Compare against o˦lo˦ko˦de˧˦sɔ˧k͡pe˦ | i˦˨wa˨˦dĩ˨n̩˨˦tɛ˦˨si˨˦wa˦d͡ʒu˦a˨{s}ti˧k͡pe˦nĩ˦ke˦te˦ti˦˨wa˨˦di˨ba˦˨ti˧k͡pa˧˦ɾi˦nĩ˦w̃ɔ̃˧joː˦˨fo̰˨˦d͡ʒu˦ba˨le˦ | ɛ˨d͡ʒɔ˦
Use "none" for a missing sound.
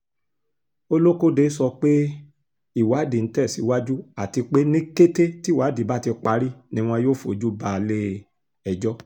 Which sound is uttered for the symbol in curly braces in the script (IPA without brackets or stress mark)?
none